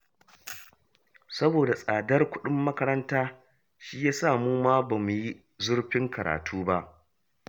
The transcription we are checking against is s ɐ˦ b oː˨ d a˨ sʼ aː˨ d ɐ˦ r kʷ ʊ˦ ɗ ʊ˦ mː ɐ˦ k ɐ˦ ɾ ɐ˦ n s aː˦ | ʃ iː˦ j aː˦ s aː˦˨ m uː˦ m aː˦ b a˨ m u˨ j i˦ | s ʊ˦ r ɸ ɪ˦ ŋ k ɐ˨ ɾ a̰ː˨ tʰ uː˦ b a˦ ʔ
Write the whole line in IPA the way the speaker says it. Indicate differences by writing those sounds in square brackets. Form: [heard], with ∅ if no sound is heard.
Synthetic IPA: s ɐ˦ b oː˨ d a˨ sʼ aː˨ d ɐ˦ r kʷ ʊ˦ ɗ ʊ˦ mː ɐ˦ k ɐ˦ ɾ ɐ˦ n [t] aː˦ | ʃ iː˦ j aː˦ s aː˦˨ m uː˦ m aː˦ b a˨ m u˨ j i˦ | [z] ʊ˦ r ɸ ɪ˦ ŋ k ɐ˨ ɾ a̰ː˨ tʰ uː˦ b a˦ ʔ